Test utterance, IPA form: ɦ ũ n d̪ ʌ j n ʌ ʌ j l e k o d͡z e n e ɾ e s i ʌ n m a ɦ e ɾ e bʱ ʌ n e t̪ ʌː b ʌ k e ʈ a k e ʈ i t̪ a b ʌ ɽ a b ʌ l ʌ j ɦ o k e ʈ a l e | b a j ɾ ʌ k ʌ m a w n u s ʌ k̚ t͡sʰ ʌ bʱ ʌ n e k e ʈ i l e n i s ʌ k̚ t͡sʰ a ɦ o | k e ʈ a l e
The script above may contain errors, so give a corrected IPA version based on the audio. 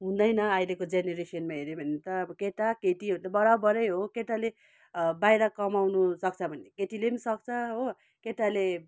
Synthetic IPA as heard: ɦ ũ n d̪ ʌ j n ʌ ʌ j l e k o d͡z e n e ɾ e s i ʌ n m a ɦ e ɾ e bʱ ʌ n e t̪ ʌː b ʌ k e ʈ a k e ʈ i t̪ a b ʌ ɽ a b ʌ ɾ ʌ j ɦ o k e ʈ a l e | b a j ɾ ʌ k ʌ m a w n u s ʌ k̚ t͡sʰ ʌ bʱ ʌ n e k e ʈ i l e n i s ʌ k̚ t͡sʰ ʌ ɦ o | k e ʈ a l e